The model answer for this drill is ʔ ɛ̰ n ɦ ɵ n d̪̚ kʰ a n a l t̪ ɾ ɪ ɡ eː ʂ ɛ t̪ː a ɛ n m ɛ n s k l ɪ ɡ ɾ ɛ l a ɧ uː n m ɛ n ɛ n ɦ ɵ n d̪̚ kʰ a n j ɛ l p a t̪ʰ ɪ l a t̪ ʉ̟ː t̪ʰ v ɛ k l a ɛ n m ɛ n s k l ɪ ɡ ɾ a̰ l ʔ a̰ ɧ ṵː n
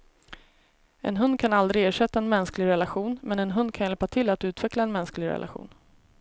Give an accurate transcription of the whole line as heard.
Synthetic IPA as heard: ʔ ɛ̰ n ɦ ɵ n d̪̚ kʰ a n a l d̪ ɾ ɪ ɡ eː ʂ ɛ t̪ː a ɛ n m ɛ n s k l ɪ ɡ ɾ ɛ l a ɧ uː n m ɛ n ɛ n ɦ ɵ n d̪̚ kʰ a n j ɛ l p a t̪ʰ ɪ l a t̪ ʉ̟ː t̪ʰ v ɛ k l a ɛ n m ɛ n s k l ɪ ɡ ɾ ɛ̰ l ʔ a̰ ɧ ṵː n

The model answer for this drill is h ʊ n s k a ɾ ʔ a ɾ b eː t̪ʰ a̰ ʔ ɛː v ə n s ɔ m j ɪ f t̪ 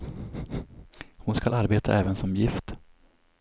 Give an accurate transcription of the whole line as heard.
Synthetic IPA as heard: h ʊ n s k a l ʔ a ɾ b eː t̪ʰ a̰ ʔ ɛː v ə n s ɔ m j ɪ f t̪

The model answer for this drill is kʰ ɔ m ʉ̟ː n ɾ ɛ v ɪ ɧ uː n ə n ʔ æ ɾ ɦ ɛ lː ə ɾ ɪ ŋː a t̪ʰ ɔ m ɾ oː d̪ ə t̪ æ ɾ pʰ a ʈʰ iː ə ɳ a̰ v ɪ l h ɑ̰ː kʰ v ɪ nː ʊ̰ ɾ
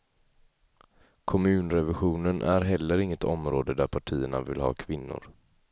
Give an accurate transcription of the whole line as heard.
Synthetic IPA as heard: kʰ ɔ m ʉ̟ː n ɾ ɛ v ɪ ɧ uː n ə n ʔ æ ɾ ɦ ɛ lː ə ɾ ɪ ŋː ə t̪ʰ ɔ m ɾ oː d̪ ə d̪ æ ɾ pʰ a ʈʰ iː ə ɳ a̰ v ɪ l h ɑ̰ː kʰ v ɪ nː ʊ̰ ɾ

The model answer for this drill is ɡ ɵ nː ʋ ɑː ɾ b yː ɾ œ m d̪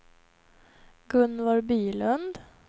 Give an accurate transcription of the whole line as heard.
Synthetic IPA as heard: ɡ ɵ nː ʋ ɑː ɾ b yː l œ n d̪

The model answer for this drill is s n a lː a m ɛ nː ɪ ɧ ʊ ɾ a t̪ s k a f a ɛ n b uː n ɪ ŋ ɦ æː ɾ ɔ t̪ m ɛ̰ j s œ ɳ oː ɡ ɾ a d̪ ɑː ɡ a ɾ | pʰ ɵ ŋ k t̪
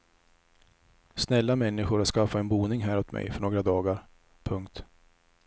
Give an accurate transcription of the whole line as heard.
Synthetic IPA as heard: s n ɛ lː a m ɛ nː ɪ ɧ ʊ ɾ a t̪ s k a f a ɛ n b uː n ɪ ŋ ɦ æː ɾ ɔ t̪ m ɛ̰ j f œ ɳ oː ɡ ɾ a d̪ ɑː ɡ a ɾ | pʰ ɵ ŋ k t̪

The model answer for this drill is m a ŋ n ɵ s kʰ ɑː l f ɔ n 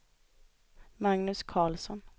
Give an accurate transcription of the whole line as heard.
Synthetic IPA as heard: m a ŋ n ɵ s kʰ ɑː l s ɔ n

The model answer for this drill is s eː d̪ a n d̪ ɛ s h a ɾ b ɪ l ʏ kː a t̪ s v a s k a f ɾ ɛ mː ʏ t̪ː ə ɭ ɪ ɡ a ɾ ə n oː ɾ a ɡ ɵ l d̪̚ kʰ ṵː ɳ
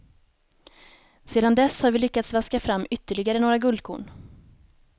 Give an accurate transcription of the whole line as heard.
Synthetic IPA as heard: s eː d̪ a n d̪ ɛ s h a ɾ v ɪ l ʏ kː a t̪ s v a s k a f ɾ a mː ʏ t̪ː ə ɭ ɪ ɡ a ɾ ə n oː ɾ a ɡ ɵ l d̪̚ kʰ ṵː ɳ

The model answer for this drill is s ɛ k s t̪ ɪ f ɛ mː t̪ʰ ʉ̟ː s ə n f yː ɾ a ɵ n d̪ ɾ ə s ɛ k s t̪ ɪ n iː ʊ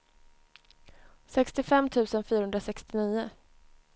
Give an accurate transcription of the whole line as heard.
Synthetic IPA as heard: s ɛ k s t̪ ɪ f ɛ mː t̪ʰ ʉ̟ː s ə n f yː ɾ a ɵ n d̪ ɾ a s ɛ k s t̪ ɪ n iː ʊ

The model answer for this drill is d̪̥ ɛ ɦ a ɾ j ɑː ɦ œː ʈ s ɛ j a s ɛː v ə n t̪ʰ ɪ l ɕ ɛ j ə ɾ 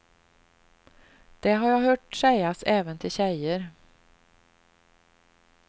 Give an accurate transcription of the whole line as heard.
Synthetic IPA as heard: d̪̥ ɛ ɦ a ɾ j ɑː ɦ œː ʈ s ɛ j a s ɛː v ə n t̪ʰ ɪ l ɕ ɛ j ə ɾ

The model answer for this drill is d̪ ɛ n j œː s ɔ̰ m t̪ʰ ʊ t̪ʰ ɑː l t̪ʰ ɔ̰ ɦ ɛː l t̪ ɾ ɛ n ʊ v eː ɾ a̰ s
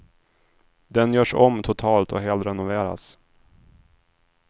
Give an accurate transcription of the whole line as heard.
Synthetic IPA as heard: d̪ ɛ n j œː ʂ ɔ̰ m t̪ʰ ʊ t̪ʰ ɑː l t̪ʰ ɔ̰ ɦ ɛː l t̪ ɾ ɛ n ʊ v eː ɾ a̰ s

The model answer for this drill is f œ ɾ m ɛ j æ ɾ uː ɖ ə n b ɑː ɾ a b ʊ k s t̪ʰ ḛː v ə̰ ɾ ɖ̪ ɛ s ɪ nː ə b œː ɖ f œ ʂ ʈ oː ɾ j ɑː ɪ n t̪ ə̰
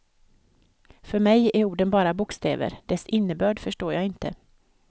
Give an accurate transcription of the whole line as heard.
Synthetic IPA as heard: f œ ɾ m ɛ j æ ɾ uː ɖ ə n b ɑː ɾ a b ʊ k s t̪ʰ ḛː v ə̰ ɾ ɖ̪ ɛ s ɪ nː ə b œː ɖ f œ ʂ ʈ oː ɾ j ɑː ɪ n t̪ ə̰

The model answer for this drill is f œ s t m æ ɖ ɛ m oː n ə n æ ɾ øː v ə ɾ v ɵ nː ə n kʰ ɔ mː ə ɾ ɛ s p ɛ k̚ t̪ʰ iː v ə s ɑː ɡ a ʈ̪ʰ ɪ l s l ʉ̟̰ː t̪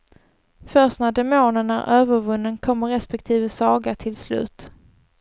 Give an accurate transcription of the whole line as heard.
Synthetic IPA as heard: f œ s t n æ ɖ ɛ m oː n ə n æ ɾ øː v ə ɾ v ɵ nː ə n kʰ ɔ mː ə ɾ ɛ s p ɛ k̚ t̪ʰ iː v ə s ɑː ɡ a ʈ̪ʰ ɪ l s l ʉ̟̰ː t̪

